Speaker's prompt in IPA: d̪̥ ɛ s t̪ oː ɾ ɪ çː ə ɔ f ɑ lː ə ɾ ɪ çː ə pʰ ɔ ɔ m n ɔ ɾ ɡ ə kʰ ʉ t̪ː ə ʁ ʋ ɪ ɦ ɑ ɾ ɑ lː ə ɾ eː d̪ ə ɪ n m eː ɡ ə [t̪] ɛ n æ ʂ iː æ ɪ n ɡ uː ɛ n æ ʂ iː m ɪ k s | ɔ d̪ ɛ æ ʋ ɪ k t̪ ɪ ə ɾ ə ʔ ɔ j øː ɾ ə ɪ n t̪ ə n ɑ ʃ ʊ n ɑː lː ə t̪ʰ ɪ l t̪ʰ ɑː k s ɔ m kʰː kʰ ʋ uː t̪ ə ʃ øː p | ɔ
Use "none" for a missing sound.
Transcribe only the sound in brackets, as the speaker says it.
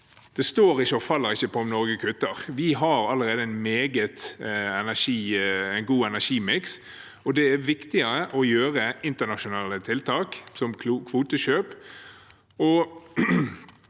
t̪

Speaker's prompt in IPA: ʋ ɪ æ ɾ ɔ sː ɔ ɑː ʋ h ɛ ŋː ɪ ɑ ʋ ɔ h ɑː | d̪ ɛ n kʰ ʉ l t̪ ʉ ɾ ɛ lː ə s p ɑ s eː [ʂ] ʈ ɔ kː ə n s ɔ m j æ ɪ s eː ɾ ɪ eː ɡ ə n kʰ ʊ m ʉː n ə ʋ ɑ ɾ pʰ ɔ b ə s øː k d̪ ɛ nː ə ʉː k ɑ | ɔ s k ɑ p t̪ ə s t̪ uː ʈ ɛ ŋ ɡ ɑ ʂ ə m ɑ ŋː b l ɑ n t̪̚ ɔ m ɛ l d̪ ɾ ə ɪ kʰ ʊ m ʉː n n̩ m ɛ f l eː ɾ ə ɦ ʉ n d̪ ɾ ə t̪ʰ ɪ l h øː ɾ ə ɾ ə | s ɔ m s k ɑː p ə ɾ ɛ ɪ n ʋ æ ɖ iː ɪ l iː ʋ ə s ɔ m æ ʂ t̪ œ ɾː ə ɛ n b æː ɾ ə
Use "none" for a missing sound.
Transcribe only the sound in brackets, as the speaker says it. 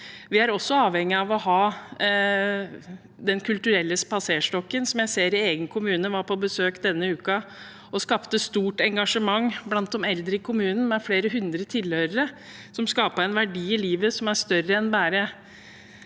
ʂ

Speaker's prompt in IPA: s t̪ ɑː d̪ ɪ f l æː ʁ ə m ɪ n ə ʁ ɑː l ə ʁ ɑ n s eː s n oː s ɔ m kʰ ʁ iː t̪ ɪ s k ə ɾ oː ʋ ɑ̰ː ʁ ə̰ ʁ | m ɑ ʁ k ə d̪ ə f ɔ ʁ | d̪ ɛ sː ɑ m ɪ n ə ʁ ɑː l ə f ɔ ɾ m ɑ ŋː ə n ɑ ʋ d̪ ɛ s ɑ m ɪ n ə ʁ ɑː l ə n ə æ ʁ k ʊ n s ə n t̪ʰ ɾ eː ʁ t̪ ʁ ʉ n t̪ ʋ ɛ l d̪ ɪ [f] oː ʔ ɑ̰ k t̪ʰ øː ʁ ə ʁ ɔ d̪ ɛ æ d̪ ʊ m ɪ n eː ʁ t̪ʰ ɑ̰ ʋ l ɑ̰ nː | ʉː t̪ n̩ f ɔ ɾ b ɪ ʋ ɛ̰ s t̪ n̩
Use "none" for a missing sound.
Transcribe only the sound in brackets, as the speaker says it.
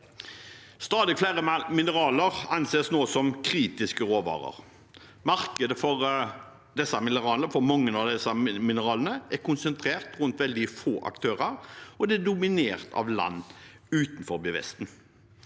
f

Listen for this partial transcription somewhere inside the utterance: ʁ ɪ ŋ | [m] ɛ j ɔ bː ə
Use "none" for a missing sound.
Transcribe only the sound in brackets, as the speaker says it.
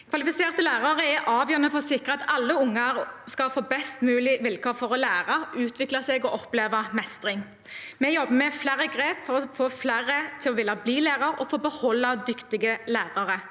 m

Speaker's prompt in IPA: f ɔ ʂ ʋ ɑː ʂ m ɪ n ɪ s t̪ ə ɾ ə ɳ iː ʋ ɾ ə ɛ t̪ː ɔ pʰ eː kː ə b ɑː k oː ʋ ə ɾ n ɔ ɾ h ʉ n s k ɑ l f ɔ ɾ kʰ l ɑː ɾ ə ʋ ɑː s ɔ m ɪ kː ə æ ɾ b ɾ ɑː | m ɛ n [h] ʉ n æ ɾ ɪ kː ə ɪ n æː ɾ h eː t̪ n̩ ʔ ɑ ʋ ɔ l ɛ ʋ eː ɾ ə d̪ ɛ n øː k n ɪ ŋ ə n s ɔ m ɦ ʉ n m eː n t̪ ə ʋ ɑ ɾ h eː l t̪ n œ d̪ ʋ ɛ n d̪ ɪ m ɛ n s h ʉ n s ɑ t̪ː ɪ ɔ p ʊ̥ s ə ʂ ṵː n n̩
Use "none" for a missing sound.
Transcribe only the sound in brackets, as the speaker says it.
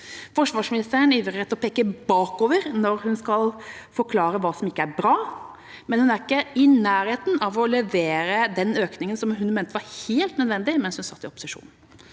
h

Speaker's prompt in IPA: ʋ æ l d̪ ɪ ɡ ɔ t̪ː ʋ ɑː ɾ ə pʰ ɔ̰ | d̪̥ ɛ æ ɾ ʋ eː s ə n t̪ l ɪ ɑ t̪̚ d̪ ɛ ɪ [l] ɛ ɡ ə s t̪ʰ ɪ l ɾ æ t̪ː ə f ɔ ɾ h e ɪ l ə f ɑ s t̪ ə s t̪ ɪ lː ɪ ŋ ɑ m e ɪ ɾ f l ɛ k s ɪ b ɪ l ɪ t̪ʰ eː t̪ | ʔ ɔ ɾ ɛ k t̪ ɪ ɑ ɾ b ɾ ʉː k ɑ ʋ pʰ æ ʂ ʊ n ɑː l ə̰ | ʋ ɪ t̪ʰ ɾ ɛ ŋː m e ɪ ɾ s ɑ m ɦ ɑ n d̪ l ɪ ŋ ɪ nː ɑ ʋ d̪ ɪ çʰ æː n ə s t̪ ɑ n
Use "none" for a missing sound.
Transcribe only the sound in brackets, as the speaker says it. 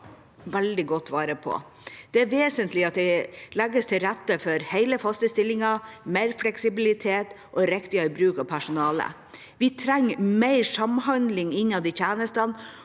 l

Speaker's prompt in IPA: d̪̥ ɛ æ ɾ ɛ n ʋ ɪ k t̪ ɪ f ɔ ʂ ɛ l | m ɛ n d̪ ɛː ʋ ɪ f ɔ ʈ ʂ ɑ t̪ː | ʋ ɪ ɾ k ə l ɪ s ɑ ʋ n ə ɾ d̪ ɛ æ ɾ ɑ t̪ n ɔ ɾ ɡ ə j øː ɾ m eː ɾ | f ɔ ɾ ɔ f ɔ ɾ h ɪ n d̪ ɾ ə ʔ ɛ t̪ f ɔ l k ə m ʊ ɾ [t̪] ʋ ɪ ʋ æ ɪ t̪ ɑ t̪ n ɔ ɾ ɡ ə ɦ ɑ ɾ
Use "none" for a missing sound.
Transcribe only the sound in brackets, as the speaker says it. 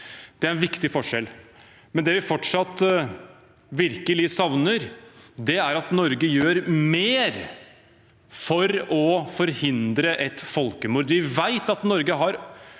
d̪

